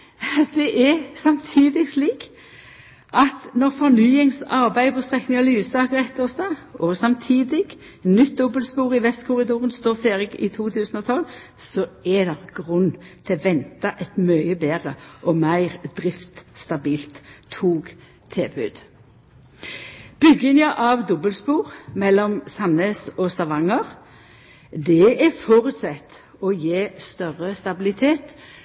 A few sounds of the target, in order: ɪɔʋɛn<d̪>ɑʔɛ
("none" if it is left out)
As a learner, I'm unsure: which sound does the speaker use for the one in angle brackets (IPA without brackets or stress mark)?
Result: t̪